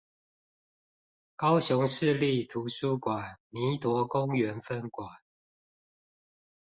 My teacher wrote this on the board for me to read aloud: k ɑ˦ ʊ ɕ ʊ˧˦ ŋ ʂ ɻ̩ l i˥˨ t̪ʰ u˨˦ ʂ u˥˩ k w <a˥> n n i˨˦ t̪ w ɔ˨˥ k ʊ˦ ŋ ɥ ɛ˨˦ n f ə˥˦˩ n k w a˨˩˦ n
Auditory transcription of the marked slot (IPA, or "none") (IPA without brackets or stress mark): a˨˩